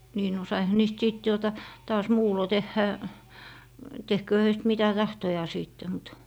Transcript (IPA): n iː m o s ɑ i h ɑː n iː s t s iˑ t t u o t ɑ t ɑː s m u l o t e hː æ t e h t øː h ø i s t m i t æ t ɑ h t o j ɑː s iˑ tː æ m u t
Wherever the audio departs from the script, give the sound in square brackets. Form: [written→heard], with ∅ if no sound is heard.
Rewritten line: n iː [m→n] o s ɑ i h [ɑː→ɑ] n iː s t s iˑ t t u o t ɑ t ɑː s m [u→uː] l o t e hː æ t e h [t→k] øː h ø i s t m i t æ t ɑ h t o j ɑː s iˑ tː [æ→e] m u t

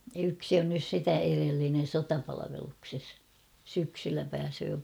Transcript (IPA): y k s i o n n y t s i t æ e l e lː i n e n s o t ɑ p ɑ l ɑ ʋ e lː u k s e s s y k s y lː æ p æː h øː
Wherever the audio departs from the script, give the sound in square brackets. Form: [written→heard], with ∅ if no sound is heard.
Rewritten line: y k s i o n n y [t→s] s i t æ e [l→r] e lː i n e n s o t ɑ p ɑ l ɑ ʋ e [lː→l] u k s e s s y k s y lː æ p æː [h→s] øː

